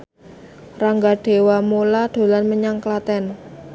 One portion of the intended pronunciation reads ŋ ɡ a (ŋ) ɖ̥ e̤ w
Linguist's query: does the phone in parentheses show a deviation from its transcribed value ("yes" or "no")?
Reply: yes